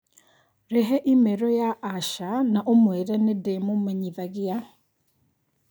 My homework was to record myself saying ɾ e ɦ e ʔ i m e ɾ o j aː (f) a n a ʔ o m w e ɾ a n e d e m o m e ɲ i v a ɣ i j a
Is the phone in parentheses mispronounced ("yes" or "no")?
yes